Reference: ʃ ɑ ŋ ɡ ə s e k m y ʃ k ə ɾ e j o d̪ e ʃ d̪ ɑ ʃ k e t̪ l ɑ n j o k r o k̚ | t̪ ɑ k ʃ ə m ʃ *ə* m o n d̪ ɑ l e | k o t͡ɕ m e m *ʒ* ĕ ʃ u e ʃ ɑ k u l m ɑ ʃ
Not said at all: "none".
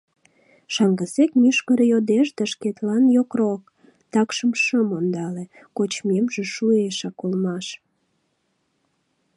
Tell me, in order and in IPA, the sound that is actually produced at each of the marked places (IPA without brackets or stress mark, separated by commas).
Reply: ə, ʒ